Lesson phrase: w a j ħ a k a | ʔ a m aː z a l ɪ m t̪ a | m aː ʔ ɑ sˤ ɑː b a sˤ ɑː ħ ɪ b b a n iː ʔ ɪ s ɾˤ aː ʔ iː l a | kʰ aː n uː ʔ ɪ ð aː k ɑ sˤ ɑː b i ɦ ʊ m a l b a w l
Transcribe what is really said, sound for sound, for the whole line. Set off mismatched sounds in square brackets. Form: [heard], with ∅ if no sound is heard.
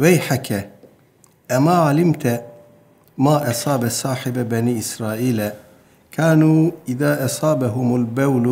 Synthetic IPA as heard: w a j ħ a k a | ʔ a m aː [ʕ] a l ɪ m t̪ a | m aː ʔ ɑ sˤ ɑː b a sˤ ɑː ħ ɪ b b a n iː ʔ ɪ s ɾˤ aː ʔ iː l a | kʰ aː n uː ʔ ɪ ð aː [ʔ] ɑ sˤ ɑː b [a] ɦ ʊ m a l b a w l